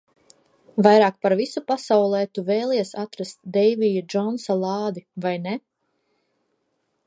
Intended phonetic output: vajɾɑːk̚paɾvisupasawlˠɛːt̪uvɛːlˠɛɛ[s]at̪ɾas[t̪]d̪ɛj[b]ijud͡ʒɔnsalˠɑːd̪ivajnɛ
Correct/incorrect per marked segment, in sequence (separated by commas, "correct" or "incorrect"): correct, correct, incorrect